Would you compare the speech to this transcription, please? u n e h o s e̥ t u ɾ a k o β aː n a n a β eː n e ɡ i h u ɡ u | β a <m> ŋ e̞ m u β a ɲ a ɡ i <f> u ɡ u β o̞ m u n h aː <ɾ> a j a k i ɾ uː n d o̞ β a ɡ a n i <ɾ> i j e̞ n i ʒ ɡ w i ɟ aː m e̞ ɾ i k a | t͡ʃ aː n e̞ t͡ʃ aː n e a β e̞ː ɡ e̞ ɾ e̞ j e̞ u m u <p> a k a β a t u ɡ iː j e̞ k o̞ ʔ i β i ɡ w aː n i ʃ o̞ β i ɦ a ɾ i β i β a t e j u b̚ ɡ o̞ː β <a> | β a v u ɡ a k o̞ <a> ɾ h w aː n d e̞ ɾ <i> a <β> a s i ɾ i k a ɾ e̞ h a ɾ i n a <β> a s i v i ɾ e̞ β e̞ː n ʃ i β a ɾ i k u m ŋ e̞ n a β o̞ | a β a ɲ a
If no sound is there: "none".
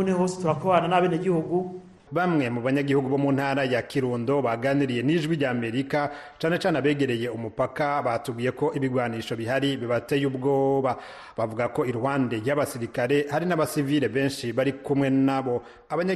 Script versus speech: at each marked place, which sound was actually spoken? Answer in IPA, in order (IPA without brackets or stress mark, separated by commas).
m, h, ɾ, ɾ, p, a, i, j, β, β